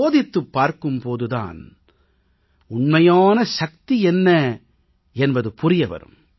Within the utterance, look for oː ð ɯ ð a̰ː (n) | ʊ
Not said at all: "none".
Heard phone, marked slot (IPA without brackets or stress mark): n